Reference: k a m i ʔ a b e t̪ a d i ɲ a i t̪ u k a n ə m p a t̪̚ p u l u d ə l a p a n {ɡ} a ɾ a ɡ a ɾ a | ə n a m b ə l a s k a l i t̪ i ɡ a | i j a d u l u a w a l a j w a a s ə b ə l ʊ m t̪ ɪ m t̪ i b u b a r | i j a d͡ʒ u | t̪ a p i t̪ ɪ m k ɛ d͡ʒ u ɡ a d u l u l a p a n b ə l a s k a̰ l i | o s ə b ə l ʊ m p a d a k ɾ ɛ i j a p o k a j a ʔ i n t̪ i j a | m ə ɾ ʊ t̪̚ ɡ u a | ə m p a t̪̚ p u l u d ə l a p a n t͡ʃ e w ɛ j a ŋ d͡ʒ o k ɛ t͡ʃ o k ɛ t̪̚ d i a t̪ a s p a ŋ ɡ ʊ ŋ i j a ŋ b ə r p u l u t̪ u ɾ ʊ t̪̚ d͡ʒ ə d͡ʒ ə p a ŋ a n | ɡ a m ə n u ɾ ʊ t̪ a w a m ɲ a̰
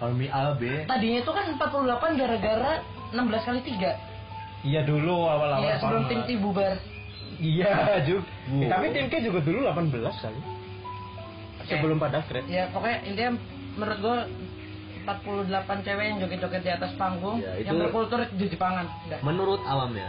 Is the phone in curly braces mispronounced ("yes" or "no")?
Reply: no